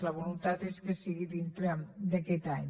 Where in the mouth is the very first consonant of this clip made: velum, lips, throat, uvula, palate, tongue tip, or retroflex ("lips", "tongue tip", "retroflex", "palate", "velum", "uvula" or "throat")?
tongue tip